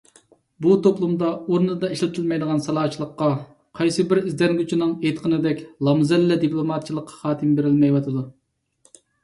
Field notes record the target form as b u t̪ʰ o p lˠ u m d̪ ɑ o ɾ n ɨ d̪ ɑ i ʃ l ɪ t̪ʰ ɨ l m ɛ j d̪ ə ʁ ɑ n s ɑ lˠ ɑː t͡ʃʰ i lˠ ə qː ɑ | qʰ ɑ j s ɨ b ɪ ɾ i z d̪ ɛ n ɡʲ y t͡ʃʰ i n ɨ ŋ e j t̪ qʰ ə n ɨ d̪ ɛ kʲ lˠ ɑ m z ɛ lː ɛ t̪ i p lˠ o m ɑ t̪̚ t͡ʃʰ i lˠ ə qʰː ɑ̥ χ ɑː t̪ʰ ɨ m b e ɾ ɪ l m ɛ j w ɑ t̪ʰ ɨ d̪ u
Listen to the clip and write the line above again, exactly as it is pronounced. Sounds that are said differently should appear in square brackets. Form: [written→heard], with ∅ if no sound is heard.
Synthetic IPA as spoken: b u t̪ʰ o p lˠ u m d̪ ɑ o ɾ n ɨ d̪ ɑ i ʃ l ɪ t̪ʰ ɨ l m ɛ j d̪ ə ʁ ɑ n s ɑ lˠ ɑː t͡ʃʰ i lˠ ə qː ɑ | qʰ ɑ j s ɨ b ɪ ɾ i z d̪ ɛ n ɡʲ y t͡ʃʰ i n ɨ ŋ e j t̪ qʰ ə n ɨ d̪ ɛ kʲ lˠ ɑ m z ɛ lː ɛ [t̪→d̪] i p lˠ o m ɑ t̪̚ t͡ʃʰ i lˠ ə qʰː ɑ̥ χ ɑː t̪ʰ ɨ m b e ɾ ɪ l m ɛ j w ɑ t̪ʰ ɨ d̪ u